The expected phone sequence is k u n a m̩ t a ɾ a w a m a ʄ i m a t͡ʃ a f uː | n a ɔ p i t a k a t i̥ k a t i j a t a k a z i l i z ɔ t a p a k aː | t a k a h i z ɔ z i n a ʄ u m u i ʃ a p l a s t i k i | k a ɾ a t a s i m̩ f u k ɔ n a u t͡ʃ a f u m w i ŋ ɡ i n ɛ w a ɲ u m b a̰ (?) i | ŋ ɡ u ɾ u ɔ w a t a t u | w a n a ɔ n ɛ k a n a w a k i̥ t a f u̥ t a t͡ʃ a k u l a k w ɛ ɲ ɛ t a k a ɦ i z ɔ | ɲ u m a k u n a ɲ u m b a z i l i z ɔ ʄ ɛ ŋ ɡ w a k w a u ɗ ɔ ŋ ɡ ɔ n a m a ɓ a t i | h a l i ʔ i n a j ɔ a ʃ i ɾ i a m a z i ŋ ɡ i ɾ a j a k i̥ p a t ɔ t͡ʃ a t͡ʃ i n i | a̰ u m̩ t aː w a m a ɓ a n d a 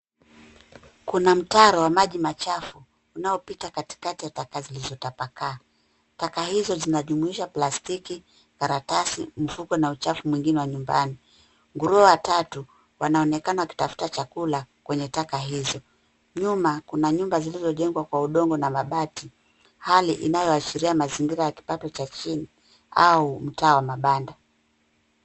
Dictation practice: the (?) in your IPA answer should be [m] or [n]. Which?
n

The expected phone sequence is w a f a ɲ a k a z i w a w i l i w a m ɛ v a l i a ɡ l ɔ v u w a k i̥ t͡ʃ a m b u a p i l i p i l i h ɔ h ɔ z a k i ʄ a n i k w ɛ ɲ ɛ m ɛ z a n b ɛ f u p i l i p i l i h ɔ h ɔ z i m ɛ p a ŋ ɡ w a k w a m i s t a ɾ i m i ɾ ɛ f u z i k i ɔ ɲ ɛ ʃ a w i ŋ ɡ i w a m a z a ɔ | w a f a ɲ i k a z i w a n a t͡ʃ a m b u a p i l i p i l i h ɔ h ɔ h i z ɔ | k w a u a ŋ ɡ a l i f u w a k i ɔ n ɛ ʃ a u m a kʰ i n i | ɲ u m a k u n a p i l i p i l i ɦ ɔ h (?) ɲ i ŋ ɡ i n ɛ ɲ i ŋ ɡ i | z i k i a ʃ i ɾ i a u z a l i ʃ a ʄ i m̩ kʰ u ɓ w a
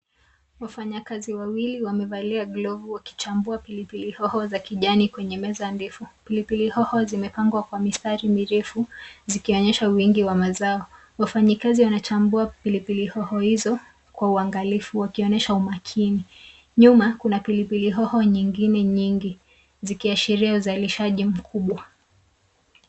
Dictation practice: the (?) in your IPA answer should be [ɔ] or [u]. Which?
ɔ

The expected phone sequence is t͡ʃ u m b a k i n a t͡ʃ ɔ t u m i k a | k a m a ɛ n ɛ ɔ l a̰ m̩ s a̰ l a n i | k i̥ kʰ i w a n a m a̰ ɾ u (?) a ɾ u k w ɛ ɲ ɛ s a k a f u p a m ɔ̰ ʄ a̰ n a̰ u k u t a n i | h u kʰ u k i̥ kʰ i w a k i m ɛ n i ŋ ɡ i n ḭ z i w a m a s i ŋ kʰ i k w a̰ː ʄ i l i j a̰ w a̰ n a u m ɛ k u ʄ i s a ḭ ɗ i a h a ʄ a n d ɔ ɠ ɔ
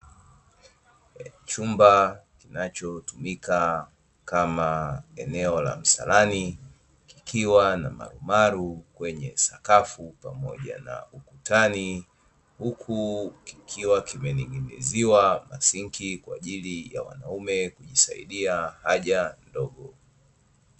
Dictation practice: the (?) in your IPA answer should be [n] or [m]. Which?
m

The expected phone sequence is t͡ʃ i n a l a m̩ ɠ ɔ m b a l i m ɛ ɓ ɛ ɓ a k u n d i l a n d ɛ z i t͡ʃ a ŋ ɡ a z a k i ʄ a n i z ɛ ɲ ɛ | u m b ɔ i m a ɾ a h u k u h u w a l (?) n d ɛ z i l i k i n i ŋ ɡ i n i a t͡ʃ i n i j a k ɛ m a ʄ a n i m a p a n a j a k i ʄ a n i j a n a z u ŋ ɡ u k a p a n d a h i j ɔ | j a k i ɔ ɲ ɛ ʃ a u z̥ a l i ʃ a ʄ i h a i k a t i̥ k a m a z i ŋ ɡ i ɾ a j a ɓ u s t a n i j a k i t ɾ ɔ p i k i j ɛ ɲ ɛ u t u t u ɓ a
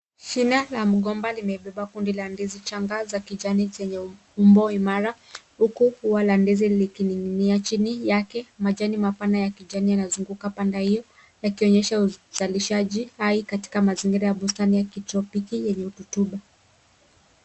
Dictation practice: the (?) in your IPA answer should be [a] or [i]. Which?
a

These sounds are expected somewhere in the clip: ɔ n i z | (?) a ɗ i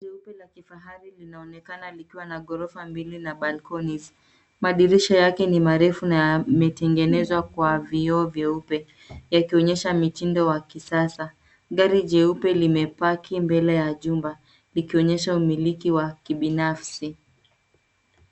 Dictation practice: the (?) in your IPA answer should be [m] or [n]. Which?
m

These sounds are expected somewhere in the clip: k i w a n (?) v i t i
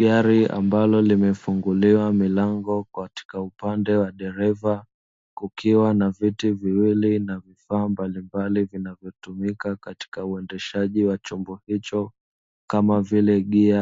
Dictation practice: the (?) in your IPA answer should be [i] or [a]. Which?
a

